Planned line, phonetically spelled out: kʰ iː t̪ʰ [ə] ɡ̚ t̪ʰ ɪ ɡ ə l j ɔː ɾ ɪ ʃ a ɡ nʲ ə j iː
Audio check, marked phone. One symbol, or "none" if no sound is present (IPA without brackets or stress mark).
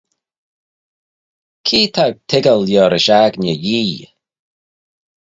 a